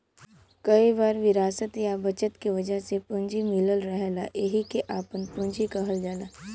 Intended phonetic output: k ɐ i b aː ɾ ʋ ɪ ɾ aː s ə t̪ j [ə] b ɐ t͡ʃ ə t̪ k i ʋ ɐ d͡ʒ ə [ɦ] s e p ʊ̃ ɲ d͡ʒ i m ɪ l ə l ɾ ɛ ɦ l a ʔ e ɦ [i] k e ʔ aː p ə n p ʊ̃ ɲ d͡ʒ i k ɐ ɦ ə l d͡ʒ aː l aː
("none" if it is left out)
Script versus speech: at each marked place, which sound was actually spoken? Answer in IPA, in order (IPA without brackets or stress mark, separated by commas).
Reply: a, ɦ, i